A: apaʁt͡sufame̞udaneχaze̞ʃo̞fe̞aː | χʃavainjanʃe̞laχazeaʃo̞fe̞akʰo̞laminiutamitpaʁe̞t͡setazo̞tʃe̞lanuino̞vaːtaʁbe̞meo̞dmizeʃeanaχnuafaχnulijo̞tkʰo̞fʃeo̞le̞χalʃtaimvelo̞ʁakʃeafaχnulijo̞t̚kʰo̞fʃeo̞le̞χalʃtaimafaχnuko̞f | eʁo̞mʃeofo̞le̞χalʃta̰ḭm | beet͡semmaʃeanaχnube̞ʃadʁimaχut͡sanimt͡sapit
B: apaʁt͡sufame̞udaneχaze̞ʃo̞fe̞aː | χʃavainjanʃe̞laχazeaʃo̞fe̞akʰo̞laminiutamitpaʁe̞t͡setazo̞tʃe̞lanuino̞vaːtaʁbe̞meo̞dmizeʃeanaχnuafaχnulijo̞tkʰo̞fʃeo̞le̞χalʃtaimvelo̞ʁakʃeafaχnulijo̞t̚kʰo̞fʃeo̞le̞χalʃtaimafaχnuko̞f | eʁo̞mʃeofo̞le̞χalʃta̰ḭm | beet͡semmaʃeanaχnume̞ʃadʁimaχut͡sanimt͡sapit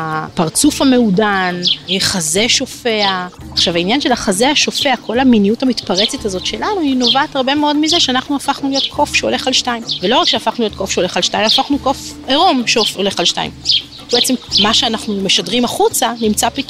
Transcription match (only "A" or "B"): B